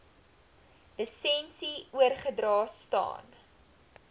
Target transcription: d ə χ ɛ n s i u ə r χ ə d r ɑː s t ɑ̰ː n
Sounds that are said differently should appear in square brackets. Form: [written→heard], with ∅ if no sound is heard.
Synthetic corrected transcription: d ə [χ→s] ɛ n s i u ə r χ ə d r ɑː s t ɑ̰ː n

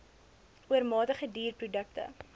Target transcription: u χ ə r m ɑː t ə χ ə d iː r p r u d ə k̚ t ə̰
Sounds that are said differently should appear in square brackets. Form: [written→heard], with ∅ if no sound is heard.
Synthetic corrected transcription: u [χ→∅] ə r m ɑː t ə χ ə d iː r p r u d ə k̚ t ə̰

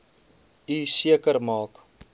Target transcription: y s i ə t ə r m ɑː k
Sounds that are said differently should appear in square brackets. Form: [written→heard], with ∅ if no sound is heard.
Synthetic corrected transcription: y s i ə [t→k] ə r m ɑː k

